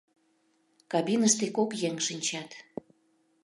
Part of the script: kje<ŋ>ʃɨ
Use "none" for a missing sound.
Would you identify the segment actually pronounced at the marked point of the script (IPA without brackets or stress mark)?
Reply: ŋ